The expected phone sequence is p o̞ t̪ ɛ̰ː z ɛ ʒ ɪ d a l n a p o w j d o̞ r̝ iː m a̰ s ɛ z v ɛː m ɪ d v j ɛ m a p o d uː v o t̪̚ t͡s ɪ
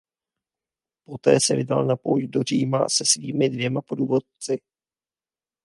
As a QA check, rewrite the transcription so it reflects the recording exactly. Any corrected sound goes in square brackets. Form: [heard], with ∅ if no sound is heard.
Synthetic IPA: p o̞ t̪ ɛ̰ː [s] ɛ [v] ɪ d a l n a p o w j d o̞ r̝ iː m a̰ s ɛ [s] v [iː] m ɪ d v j ɛ m a p o d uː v o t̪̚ t͡s ɪ

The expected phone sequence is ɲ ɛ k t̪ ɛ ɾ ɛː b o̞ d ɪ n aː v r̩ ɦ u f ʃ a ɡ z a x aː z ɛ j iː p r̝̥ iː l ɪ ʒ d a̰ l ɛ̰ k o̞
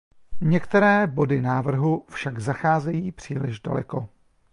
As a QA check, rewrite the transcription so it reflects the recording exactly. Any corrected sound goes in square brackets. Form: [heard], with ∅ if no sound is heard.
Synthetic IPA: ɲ ɛ k t̪ ɛ ɾ ɛː b o̞ d ɪ n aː v r̩ ɦ u f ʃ a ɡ z a x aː z ɛ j iː p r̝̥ iː l ɪ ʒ d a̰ l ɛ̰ k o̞

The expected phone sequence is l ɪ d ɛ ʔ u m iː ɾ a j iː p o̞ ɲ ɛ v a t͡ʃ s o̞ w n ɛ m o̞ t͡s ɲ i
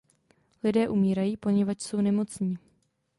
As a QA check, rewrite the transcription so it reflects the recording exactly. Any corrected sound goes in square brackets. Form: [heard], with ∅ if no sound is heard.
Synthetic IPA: l ɪ d [ɛː] ʔ u m iː ɾ a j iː p o̞ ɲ ɛ v a t͡ʃ s o̞ w n ɛ m o̞ t͡s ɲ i

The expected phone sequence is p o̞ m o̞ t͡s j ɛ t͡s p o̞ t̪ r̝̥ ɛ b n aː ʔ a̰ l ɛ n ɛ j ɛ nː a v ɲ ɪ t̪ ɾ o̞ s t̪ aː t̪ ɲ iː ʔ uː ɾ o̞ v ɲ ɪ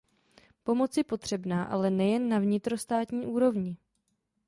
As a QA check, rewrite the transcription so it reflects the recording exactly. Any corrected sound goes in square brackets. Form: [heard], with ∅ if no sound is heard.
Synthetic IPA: p o̞ m o̞ t͡s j ɛ [∅] p o̞ t̪ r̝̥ ɛ b n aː ʔ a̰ l ɛ n ɛ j ɛ nː a v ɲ ɪ t̪ ɾ o̞ s t̪ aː t̪ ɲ iː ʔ uː ɾ o̞ v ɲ ɪ

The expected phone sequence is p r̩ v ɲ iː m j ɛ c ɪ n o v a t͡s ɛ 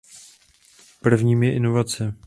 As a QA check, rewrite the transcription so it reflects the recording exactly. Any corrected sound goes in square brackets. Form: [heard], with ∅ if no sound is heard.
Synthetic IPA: p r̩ v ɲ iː m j ɛ [ʔ] ɪ n o v a t͡s ɛ

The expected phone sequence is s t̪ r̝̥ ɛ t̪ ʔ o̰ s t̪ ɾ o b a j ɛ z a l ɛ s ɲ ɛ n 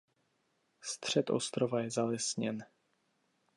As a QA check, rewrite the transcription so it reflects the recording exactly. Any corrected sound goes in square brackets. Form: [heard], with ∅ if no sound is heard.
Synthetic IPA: s t̪ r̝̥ ɛ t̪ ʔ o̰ s t̪ ɾ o [v] a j ɛ z a l ɛ s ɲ ɛ n

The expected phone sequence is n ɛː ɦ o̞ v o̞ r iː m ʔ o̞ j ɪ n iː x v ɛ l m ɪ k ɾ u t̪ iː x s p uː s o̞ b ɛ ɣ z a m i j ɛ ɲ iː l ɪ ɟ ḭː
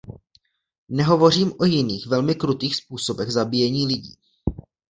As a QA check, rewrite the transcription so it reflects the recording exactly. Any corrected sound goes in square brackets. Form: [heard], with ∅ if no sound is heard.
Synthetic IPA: n [ɛ] ɦ o̞ v o̞ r iː m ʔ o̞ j ɪ n iː x v ɛ l m ɪ k ɾ u t̪ iː x s p uː s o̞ b ɛ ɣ z a [b] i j ɛ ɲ iː l ɪ ɟ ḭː

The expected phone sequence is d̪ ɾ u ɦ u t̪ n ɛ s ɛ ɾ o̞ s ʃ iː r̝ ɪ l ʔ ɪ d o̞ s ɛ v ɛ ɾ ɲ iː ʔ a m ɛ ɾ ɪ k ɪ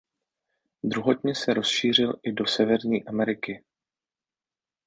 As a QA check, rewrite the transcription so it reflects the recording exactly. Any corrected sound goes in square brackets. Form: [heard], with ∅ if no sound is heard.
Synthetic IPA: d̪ ɾ u ɦ [o] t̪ [ɲ] ɛ s ɛ ɾ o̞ s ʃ iː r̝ ɪ l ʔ ɪ d o̞ s ɛ v ɛ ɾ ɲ iː ʔ a m ɛ ɾ ɪ k ɪ

